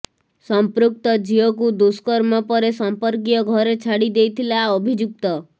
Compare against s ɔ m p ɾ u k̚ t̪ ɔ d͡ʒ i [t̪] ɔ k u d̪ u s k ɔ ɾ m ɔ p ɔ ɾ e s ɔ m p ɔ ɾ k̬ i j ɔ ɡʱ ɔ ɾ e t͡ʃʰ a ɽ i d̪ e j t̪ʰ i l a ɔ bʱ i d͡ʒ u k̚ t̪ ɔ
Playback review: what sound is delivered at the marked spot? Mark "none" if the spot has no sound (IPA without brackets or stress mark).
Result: none